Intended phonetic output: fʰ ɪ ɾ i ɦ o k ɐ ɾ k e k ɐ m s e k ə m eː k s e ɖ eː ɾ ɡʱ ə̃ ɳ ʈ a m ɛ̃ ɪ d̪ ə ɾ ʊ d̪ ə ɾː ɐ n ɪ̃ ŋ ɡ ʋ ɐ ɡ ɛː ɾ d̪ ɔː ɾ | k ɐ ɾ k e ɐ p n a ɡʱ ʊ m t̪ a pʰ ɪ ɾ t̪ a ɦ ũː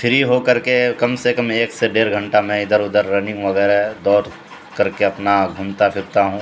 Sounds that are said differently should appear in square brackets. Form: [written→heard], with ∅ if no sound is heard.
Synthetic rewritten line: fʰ ɪ ɾ i ɦ o k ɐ ɾ k e k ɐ m s e k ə m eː k s e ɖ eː ɾ ɡʱ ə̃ ɳ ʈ a m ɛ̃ ɪ d̪ ə ɾ ʊ d̪ ə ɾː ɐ n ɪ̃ ŋ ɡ ʋ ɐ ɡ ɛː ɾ d̪ ɔː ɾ | k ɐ ɾ k e ɐ p n a ɡʱ ʊ m t̪ a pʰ ɪ ɾ t̪ a ɦ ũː